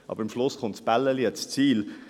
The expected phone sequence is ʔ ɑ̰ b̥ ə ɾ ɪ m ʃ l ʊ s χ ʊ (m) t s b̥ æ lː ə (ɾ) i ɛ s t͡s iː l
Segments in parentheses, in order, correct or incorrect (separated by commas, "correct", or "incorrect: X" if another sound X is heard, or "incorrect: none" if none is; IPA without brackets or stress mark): incorrect: n, incorrect: l